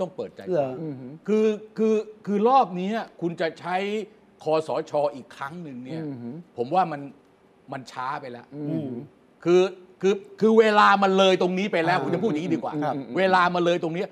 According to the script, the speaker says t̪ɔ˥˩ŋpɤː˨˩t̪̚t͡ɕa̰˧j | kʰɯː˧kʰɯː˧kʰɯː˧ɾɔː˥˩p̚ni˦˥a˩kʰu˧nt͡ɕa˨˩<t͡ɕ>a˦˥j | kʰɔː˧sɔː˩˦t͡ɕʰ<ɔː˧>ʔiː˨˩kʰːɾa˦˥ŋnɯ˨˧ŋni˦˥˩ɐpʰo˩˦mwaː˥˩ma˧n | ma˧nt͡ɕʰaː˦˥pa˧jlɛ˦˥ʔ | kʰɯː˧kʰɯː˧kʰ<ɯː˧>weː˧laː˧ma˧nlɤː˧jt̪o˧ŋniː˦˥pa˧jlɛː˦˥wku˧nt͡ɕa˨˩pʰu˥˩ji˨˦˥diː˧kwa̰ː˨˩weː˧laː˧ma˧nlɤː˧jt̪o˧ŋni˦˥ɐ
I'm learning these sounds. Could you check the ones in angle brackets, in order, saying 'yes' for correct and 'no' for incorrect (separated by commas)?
no, yes, yes